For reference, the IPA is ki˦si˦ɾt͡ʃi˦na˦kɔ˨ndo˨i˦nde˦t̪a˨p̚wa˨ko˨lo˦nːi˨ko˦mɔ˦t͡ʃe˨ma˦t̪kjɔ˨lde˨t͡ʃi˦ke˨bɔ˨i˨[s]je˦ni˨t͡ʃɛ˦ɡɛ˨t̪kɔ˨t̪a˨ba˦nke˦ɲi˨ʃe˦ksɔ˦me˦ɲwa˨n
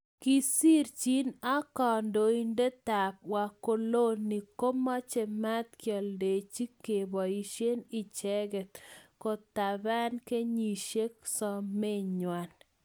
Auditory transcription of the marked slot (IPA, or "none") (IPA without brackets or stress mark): ʃ